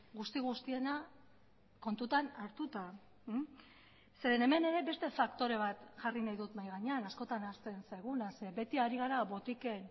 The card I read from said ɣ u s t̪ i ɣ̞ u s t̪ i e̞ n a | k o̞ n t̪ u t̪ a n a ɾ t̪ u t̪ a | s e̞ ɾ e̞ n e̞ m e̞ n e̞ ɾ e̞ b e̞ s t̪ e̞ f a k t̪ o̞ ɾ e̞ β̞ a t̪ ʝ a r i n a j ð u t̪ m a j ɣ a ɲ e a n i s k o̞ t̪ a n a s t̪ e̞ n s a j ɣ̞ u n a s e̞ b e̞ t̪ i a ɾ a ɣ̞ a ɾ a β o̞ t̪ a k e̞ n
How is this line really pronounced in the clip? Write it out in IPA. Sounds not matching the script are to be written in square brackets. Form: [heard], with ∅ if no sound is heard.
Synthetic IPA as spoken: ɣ u s t̪ i ɣ̞ u s t̪ i e̞ n a | k o̞ n t̪ u t̪ a n a ɾ t̪ u t̪ a | s e̞ ɾ e̞ n e̞ m e̞ n e̞ ɾ e̞ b e̞ s t̪ e̞ f a k t̪ o̞ ɾ e̞ β̞ a t̪ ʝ a r i n a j ð u t̪ m a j ɣ a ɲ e a n [a] s k o̞ t̪ a n a s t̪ e̞ n s a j ɣ̞ u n a s e̞ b e̞ t̪ i a ɾ [i] ɣ̞ a ɾ a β o̞ t̪ [i] k e̞ n

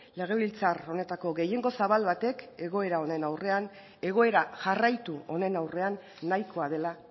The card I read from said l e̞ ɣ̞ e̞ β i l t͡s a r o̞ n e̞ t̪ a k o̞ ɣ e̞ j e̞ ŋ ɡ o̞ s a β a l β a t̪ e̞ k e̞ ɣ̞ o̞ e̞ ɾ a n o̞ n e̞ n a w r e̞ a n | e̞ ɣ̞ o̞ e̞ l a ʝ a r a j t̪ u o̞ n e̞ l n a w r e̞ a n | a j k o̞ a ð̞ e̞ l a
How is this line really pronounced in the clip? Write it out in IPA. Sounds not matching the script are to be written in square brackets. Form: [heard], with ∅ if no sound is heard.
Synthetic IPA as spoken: l e̞ ɣ̞ e̞ β i l t͡s a r o̞ n e̞ t̪ a k o̞ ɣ e̞ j e̞ ŋ ɡ o̞ s a β a l β a t̪ e̞ k e̞ ɣ̞ o̞ e̞ ɾ a [∅] o̞ n e̞ n a w r e̞ a n | e̞ ɣ̞ o̞ e̞ [ɾ] a ʝ a r a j t̪ u o̞ n e̞ [∅] n a w r e̞ a [nː] | a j k o̞ a ð̞ e̞ l a

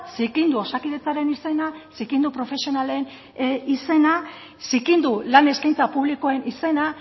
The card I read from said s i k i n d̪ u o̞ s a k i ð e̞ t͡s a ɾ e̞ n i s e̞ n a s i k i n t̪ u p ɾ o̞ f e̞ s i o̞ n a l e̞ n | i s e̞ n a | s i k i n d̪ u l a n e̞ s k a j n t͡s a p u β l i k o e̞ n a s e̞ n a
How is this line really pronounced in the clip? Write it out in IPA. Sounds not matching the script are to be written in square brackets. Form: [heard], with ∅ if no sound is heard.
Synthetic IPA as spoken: s i k i n d̪ u o̞ s a k i ð e̞ t͡s a ɾ e̞ n i s e̞ n a s i k i n [d̪] u p ɾ o̞ f e̞ s i o̞ n a l e̞ n | i s e̞ n a | s i k i n d̪ u l a n e̞ s k a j n t͡s a p u β l i k o e̞ n [i] s e̞ n a

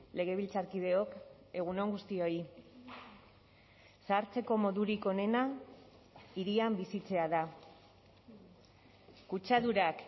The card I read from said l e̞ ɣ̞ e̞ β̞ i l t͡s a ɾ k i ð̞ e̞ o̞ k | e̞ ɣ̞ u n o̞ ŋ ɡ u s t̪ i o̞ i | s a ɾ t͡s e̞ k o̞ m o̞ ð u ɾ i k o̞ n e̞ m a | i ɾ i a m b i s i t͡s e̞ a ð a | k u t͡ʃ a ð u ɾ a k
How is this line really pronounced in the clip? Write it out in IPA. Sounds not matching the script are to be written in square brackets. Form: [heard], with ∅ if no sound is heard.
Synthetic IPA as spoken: l e̞ ɣ̞ e̞ β̞ i l t͡s a ɾ k i ð̞ e̞ o̞ k | e̞ ɣ̞ u n o̞ ŋ ɡ u s t̪ i o̞ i | s a ɾ t͡s e̞ k o̞ m o̞ ð u ɾ i k o̞ n e̞ [n] a | i ɾ i a m b i s i t͡s e̞ a ð a | k u t͡ʃ a ð u ɾ a k

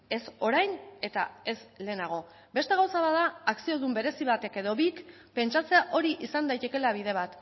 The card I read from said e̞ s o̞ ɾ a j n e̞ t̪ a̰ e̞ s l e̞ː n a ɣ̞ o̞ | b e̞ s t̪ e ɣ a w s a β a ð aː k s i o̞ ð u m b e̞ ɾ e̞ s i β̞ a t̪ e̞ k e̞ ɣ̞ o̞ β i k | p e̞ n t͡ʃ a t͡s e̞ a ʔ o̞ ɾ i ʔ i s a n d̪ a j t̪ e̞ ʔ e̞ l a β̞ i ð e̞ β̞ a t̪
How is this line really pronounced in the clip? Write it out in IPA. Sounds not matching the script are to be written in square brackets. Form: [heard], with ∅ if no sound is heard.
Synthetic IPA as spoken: e̞ s o̞ ɾ a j n e̞ t̪ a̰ e̞ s l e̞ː n a ɣ̞ o̞ | b e̞ s t̪ e ɣ a w s a β a ð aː k s i o̞ ð u m b e̞ ɾ e̞ s i β̞ a t̪ e̞ k e̞ [ð̞] o̞ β i k | p e̞ n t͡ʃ a t͡s e̞ a ʔ o̞ ɾ i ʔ i s a n d̪ a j t̪ e̞ [k] e̞ l a β̞ i ð e̞ β̞ a t̪

